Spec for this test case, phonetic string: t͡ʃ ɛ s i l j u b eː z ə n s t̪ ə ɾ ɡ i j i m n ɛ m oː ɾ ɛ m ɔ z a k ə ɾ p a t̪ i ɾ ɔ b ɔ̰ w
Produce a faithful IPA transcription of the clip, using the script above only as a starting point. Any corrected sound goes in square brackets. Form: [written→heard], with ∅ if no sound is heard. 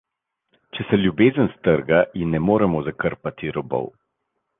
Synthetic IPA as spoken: t͡ʃ ɛ s [i→ɛ] l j u b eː z ə n s t̪ ə ɾ ɡ [i→a] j i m n ɛ m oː ɾ ɛ m ɔ z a k ə ɾ p a t̪ i ɾ ɔ b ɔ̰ w